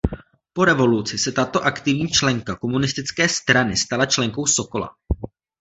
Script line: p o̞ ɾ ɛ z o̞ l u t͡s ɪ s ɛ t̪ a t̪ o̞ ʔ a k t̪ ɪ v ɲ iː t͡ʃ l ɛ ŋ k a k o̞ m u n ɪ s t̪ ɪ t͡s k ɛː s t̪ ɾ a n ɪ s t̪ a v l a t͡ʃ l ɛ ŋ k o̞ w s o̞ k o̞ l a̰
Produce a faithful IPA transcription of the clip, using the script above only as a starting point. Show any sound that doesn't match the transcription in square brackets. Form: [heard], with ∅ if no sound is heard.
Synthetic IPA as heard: p o̞ ɾ ɛ [v] o̞ l u t͡s ɪ s ɛ t̪ a t̪ o̞ ʔ a k t̪ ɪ v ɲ iː t͡ʃ l ɛ ŋ k a k o̞ m u n ɪ s t̪ ɪ t͡s k ɛː s t̪ ɾ a n ɪ s t̪ a [∅] l a t͡ʃ l ɛ ŋ k o̞ w s o̞ k o̞ l a̰